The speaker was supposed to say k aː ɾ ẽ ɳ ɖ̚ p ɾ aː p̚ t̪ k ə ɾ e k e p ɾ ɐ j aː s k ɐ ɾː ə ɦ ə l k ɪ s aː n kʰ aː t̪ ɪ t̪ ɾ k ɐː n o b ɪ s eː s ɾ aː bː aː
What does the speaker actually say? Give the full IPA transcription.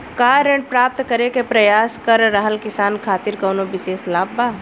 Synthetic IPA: k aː ɾ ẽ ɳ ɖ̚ p ɾ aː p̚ t̪ k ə ɾ e k e p ɾ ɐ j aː s k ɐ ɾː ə ɦ ə l k ɪ s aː n kʰ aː t̪ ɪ ɾ k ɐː n o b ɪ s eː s l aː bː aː